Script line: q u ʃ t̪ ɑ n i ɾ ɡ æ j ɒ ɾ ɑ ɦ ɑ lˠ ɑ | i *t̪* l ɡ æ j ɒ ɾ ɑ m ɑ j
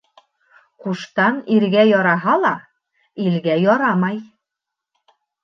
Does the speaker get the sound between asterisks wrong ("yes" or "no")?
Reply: yes